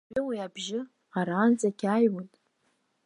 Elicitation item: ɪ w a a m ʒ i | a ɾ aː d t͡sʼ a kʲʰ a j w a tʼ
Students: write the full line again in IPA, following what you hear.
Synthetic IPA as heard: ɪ w i a b ʒ ɪ | a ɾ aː n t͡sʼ a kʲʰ a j w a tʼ